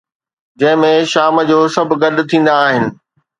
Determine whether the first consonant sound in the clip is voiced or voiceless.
voiced